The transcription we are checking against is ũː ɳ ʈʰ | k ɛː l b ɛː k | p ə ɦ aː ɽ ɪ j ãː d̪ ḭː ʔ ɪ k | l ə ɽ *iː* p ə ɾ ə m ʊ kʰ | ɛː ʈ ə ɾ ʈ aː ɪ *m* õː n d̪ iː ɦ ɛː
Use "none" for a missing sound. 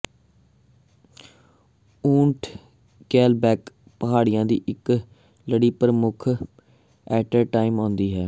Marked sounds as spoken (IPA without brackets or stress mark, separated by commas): iː, m